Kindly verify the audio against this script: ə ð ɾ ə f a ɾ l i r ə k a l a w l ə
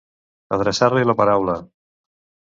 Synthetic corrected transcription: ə ð ɾ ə s a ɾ l i l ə p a ɾ a w l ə

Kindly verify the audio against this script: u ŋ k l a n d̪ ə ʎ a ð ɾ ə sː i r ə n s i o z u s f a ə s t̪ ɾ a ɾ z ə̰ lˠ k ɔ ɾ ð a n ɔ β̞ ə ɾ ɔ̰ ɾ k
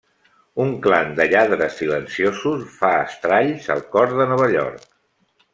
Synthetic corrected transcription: u ŋ k l a n d̪ ə ʎ a ð ɾ ə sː i l ə n s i o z u s f a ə s t̪ ɾ a ʎ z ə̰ lˠ k ɔ ɾ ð ə n ɔ β̞ ə ʎ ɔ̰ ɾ k

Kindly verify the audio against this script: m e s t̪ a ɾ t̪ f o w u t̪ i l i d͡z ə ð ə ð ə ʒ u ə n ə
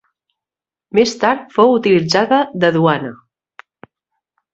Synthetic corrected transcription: m e s t̪ a ɾ t̪ f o w u t̪ i l i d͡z a ð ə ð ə ð u a n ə

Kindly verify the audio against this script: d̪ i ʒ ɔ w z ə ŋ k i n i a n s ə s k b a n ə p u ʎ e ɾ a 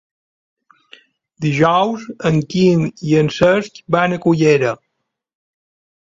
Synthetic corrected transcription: d̪ i ʒ ɔ w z ə ŋ k i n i ə n s ə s k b a n ə k u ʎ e ɾ ə

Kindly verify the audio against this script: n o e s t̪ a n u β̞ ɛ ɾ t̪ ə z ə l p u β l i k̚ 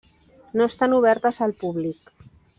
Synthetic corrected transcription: n o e s t̪ a n u β̞ ɛ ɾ t̪ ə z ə l p u β l i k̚

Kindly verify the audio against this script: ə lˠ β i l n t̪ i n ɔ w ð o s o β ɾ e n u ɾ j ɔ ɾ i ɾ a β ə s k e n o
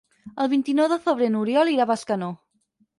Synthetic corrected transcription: ə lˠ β i n t̪ i n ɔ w ð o θ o β ɾ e n u ɾ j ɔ l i ɾ a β a s k a n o

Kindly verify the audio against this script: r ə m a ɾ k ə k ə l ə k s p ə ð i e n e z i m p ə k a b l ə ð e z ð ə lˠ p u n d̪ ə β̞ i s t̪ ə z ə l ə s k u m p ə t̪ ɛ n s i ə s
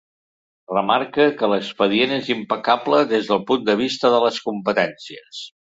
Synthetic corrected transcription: r ə m a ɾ k ə k ə l ə k s p ə ð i e n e z i m p ə k a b l ə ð e z ð ə lˠ p u n d̪ ə β̞ i s t̪ ə ð ə l ə s k u m p ə t̪ ɛ n s i ə s

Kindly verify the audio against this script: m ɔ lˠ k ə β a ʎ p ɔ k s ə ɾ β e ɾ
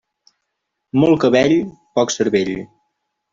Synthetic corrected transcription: m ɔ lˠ k ə β ɛ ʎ p ɔ k s ə ɾ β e ʎ

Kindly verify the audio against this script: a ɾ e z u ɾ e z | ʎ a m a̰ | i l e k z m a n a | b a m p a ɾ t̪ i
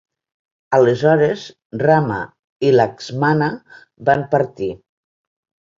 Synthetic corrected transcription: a l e z ɔ ɾ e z | r a m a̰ | i l a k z m a n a | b a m p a ɾ t̪ i

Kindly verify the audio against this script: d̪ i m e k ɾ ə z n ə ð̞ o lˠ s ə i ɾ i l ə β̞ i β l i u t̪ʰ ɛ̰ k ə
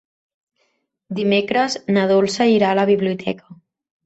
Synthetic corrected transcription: d̪ i m e k ɾ ə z n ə ð̞ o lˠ s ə i ɾ a l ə β̞ i β l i u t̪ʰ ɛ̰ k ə

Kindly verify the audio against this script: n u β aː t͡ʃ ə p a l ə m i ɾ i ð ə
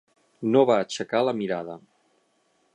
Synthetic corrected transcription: n o β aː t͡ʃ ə k a l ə m i ɾ a ð ə

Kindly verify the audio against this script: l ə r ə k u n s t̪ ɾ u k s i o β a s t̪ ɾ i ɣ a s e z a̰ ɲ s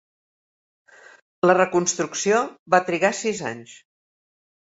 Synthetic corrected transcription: l ə r ə k u n s t̪ ɾ u k s i o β a t̪ ɾ i ɣ a s i z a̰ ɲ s

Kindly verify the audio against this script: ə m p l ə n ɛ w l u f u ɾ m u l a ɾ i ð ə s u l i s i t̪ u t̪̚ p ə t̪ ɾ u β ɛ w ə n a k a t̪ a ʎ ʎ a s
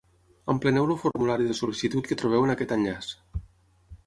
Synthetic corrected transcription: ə m p l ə n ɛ w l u f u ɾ m u l a ɾ i ð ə s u l i s i t̪ u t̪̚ k ə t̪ ɾ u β ɛ w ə n a k ɛ t̪ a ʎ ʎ a s

